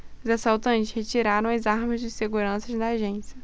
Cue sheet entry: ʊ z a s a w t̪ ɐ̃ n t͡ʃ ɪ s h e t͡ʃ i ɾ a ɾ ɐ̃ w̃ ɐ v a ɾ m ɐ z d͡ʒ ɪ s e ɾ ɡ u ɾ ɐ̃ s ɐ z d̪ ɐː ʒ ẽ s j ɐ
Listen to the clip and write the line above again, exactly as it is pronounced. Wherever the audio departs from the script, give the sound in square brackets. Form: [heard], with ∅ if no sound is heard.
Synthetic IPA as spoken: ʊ z a s a w t̪ ɐ̃ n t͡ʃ ɪ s h e t͡ʃ i ɾ a ɾ ɐ̃ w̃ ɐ [z] a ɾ m ɐ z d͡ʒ ɪ s e [∅] ɡ u ɾ ɐ̃ s ɐ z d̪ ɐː ʒ ẽ s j ɐ